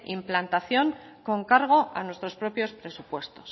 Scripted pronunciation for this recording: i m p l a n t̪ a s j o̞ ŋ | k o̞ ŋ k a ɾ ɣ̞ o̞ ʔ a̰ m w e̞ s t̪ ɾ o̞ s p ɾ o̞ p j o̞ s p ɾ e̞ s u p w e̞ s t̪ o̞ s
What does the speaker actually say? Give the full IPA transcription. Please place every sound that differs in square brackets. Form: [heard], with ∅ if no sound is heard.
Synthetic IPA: i m p l a n t̪ a [θ] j o̞ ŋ | k o̞ ŋ k a ɾ ɣ̞ o̞ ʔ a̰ [n] w e̞ s t̪ ɾ o̞ s p ɾ o̞ p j o̞ s p ɾ e̞ s u p w e̞ s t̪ o̞ s

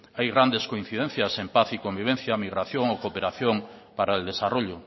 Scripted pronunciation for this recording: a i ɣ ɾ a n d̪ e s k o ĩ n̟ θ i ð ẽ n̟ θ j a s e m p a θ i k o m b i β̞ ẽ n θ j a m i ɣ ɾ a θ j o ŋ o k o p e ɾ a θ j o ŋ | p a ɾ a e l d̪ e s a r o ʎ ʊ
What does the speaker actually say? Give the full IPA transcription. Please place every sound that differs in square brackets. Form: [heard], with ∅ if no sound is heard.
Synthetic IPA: a [j] ɣ ɾ a n d̪ e s k o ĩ n̟ θ i ð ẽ n̟ θ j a s e m p a θ i k o m b i β̞ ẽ n θ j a m i ɣ ɾ a θ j o ŋ o k o p e ɾ a θ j o ŋ | p a ɾ a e l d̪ e s a r o ʎ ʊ

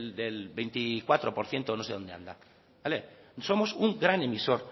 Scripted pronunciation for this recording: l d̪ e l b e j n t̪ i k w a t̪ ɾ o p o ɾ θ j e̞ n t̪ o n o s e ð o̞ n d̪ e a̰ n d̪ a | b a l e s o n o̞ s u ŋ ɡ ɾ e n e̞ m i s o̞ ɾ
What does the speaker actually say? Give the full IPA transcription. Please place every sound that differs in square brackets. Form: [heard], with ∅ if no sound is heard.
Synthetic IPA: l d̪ e l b e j n t̪ i k w a t̪ ɾ o p o ɾ θ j e̞ n t̪ o n o s e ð o̞ n d̪ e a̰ n d̪ a | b a l e s o [m] o̞ s u ŋ ɡ ɾ [a] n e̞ m i s o̞ ɾ

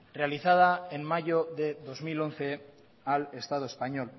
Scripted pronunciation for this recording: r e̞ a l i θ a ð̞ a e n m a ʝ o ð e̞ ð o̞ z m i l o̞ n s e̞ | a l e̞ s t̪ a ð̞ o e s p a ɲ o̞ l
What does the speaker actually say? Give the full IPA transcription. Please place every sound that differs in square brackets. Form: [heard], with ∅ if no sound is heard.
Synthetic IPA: r e̞ a l i θ a ð̞ a e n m a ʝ o ð e̞ ð o̞ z m i l o̞ n [θ] e̞ | a l e̞ s t̪ a ð̞ o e s p a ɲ o̞ l

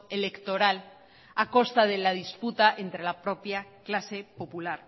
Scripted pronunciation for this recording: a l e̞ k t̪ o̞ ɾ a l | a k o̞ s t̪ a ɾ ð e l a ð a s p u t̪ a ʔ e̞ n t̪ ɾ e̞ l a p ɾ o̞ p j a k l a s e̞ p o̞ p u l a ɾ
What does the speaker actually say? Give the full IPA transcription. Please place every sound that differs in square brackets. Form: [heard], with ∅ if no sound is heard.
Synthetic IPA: [e] l e̞ k t̪ o̞ ɾ a l | a k o̞ s t̪ a [∅] ð e l a ð [i] s p u t̪ a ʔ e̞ n t̪ ɾ e̞ l a p ɾ o̞ p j a k l a s e̞ p o̞ p u l a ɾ

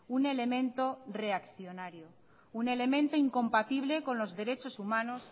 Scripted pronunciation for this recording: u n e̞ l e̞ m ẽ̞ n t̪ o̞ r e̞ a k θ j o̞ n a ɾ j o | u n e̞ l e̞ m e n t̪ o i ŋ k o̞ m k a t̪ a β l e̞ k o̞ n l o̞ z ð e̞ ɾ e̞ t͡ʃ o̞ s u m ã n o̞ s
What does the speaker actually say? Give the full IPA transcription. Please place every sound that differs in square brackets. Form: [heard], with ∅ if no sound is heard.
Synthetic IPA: u n e̞ l e̞ m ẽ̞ n t̪ o̞ r e̞ a k θ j o̞ n a ɾ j o | u n e̞ l e̞ m [ẽ] n t̪ o i ŋ k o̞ m [p] a t̪ [i] β l e̞ k o̞ n l o̞ z ð e̞ ɾ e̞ t͡ʃ o̞ s u m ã n o̞ s

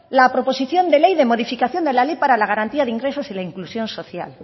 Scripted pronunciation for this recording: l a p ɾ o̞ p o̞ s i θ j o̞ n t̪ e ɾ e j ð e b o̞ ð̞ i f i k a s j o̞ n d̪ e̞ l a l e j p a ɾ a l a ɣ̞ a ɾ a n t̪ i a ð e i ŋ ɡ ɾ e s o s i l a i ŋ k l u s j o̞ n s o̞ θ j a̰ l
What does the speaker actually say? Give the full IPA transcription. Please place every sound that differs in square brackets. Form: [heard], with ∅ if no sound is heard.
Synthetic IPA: l a p ɾ o̞ p o̞ s i θ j o̞ n [d̪] e [l] e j ð e [m] o̞ ð̞ i f i k a [θ] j o̞ n d̪ e̞ l a l e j p a ɾ a l a ɣ̞ a ɾ a n t̪ i a ð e i ŋ ɡ ɾ e s o s i l a i ŋ k l u s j o̞ n s o̞ θ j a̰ l

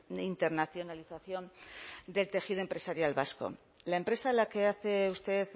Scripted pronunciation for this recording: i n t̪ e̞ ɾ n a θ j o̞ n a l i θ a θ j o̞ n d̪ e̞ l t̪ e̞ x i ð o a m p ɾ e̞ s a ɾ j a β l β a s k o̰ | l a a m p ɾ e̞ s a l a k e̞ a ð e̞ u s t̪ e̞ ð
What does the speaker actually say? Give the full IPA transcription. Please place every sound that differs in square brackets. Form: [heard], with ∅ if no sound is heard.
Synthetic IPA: i n t̪ e̞ ɾ n a θ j o̞ n a l i θ a θ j o̞ n d̪ e̞ l t̪ e̞ x i ð o [e] m p ɾ e̞ s a ɾ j a [∅] l β a s k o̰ | l a [e] m p ɾ e̞ s a l a k e̞ a [θ] e̞ u s t̪ e̞ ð

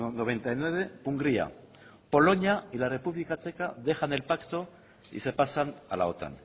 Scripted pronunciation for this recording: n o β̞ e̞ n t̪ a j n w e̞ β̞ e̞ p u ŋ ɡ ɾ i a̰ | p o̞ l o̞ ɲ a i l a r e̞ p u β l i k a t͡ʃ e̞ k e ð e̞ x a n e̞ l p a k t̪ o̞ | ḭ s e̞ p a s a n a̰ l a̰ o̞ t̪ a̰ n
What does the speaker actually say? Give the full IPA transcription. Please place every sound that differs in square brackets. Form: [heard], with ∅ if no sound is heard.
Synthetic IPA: n o β̞ e̞ n t̪ a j n w e̞ β̞ e̞ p u ŋ ɡ ɾ i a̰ | p o̞ l o̞ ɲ a i l a r e̞ p u β l i k a t͡ʃ e̞ k [a] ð e̞ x a n e̞ l p a k t̪ o̞ | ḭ s e̞ p a s a n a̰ l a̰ o̞ t̪ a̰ n

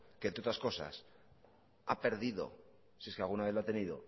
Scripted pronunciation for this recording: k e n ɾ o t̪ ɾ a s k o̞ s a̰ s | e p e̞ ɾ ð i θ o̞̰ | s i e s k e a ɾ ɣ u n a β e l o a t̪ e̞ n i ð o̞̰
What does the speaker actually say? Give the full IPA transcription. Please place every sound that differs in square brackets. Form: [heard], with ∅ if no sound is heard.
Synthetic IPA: k e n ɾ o t̪ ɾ a s k o̞ s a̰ s | [a] p e̞ ɾ ð i [ð] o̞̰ | s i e s k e a [l] ɣ u n a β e l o a t̪ e̞ n i ð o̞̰

